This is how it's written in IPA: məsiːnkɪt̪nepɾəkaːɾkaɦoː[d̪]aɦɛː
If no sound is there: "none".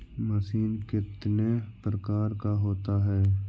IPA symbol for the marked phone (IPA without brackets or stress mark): t̪